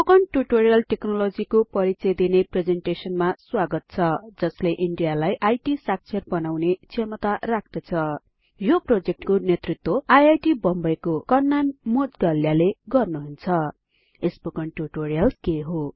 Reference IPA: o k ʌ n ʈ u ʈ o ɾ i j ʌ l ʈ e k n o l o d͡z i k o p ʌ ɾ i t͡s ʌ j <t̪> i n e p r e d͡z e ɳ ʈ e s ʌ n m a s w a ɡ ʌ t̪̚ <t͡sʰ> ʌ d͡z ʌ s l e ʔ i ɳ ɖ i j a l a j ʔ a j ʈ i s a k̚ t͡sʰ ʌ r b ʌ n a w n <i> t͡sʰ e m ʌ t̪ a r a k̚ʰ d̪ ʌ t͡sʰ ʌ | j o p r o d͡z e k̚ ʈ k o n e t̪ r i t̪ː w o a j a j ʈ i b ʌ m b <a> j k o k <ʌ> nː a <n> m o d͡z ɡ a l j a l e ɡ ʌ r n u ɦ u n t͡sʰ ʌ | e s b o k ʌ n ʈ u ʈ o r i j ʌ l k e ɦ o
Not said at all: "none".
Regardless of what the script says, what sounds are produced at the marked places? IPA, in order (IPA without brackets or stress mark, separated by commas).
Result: d̪, t͡sʰ, e, ʌ, ʌ, n